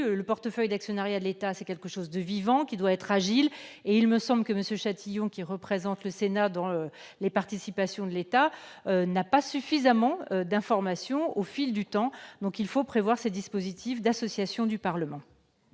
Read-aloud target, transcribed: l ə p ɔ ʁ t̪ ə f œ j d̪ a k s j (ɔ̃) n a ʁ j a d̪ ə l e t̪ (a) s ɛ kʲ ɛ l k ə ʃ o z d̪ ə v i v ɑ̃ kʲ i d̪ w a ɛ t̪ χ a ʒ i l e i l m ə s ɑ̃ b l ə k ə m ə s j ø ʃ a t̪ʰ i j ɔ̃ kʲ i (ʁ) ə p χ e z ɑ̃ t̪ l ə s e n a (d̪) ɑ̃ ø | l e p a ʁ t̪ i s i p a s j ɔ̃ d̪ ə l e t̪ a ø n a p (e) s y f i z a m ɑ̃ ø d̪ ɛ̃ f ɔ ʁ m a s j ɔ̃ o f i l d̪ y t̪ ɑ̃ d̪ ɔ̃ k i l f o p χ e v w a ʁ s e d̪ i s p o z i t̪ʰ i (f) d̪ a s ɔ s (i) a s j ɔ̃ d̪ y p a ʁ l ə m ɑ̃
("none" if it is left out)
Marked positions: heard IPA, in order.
ɔ, a, ʁ, d̪, a, f, j

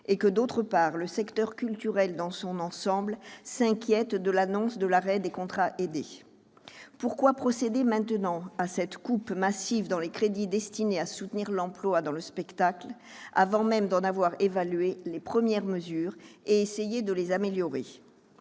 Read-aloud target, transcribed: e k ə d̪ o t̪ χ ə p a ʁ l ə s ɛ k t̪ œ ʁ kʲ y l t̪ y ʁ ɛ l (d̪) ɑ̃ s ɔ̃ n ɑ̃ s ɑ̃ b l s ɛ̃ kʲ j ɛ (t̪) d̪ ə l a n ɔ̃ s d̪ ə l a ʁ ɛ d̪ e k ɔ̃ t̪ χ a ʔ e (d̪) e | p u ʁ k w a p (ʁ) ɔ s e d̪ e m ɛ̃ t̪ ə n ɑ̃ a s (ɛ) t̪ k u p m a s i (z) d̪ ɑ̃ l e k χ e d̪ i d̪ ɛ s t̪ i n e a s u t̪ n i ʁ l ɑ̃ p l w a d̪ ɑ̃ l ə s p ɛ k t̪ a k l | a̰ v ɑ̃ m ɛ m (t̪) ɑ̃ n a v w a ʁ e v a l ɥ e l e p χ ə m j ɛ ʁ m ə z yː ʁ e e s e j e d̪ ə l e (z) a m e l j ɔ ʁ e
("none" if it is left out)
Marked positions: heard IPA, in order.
d̪, t̪, d̪, χ, ɛ, v, d̪, z

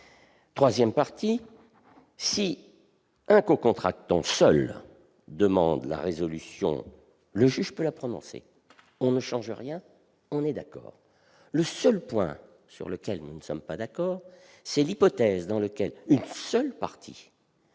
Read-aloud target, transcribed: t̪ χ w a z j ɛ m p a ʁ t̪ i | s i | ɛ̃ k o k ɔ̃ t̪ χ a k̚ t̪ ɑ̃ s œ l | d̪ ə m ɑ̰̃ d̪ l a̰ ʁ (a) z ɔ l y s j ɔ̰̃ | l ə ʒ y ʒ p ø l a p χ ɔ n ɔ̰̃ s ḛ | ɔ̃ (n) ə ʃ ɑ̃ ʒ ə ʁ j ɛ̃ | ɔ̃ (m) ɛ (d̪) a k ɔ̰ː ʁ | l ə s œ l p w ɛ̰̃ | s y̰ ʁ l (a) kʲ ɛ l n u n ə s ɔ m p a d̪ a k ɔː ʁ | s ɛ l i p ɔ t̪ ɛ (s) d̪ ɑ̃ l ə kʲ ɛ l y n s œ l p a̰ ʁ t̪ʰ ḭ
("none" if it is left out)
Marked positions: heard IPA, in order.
e, n, n, d̪, ə, z

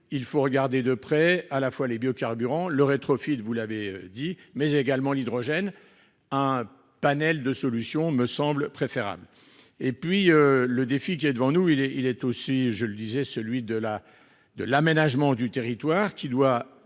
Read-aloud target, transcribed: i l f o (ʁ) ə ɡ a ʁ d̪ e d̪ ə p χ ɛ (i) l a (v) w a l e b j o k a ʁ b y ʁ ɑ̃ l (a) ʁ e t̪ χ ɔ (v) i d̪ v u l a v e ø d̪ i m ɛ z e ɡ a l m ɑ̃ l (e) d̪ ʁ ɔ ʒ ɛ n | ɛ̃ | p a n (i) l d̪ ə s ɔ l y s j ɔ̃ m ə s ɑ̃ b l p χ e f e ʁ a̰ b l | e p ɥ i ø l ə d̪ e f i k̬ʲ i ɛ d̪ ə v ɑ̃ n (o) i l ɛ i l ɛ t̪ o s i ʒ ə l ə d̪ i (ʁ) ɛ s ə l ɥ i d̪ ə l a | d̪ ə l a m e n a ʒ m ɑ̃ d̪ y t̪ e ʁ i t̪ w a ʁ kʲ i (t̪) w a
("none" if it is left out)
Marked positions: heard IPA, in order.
ʁ, a, f, ə, f, i, ɛ, u, z, d̪

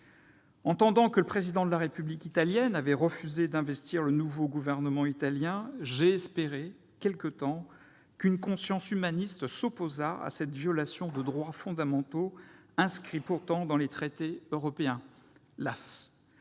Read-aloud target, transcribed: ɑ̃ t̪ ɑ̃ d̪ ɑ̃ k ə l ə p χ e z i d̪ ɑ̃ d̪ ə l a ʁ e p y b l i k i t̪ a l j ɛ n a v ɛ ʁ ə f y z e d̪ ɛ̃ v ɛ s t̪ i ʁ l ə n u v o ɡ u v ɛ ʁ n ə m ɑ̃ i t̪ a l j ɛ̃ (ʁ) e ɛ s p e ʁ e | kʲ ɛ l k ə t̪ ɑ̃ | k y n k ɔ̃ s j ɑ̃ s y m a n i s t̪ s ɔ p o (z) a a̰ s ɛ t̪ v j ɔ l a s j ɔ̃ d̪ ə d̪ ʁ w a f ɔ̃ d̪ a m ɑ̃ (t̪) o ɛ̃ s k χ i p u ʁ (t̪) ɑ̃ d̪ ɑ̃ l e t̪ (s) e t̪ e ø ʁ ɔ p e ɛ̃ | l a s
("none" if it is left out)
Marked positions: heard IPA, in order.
ʒ, z, t̪, t̪, χ

